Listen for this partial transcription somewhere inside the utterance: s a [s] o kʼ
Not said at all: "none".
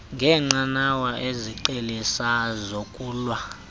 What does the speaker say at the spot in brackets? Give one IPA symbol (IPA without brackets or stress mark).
z